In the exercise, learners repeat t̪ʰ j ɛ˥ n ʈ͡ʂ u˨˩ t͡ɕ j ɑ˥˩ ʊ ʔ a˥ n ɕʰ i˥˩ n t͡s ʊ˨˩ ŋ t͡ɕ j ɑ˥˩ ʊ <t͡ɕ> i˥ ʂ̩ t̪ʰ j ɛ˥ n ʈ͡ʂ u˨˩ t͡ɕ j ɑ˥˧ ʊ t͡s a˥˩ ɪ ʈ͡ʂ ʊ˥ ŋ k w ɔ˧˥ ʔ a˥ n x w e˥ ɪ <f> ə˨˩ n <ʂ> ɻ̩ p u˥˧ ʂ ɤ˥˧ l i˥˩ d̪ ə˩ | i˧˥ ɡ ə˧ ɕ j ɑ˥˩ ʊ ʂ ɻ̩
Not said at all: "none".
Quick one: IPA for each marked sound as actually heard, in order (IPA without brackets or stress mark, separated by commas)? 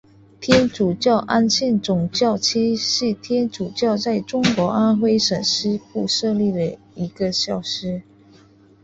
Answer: t͡ɕʰ, ʂ, ʂ